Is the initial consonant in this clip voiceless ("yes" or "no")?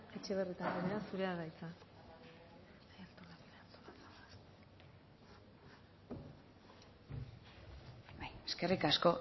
yes